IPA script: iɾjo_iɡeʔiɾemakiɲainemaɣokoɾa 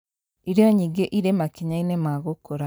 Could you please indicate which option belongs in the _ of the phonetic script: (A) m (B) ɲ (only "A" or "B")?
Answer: B